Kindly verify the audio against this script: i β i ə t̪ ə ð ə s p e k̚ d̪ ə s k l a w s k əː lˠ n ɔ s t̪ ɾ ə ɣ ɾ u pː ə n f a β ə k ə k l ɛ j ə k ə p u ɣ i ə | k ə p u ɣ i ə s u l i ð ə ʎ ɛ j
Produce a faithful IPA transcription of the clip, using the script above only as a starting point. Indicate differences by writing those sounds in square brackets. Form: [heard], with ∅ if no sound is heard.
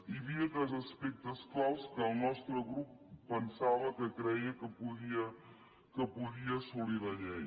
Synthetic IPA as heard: i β i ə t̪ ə [z] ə s p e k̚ d̪ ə s k l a w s k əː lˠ n ɔ s t̪ ɾ ə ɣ ɾ u pː ə n [s] a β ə k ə k [ɾ] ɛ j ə k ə p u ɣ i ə | k ə p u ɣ i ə s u l i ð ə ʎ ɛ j